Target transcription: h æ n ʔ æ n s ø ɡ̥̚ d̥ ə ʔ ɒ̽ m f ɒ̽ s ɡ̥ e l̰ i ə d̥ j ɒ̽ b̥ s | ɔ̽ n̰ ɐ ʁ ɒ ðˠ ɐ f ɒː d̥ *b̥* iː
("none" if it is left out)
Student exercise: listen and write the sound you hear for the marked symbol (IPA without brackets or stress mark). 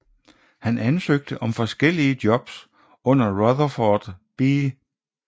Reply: b̥